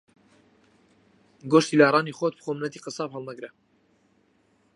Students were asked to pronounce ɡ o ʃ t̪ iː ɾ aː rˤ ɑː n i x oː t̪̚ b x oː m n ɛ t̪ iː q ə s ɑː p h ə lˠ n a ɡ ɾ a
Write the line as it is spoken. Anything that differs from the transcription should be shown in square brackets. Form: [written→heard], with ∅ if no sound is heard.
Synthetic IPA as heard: ɡ o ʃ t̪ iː [ɾ→l] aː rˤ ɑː n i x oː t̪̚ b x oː m n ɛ t̪ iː q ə s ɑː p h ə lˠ n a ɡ ɾ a